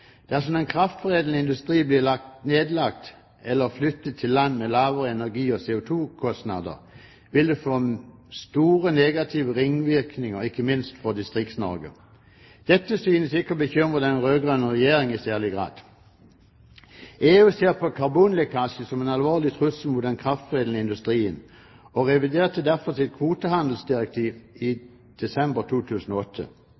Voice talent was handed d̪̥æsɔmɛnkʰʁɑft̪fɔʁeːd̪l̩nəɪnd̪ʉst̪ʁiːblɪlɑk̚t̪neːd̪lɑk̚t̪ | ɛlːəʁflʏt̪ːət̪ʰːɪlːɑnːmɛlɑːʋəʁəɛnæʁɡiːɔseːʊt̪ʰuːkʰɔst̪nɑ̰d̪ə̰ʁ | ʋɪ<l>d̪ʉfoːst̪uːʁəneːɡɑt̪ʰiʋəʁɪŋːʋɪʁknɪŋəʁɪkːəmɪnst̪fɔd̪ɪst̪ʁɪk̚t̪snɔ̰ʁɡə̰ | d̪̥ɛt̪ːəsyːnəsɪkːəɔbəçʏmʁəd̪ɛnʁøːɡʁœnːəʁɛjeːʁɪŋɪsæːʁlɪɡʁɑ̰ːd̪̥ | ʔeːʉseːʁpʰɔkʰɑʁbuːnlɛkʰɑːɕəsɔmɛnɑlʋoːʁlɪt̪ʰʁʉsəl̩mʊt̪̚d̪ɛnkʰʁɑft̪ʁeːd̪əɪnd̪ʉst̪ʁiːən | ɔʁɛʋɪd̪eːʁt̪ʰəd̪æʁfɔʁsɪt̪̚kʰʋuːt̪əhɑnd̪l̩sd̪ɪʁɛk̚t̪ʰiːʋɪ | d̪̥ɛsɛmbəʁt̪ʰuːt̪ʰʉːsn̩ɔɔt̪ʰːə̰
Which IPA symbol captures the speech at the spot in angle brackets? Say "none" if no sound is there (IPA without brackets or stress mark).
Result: l